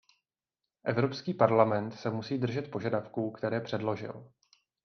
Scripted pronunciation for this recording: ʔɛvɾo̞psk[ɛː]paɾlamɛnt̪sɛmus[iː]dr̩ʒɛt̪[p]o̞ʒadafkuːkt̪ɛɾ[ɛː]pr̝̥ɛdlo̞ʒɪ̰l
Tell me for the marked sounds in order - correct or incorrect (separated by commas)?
incorrect, correct, correct, correct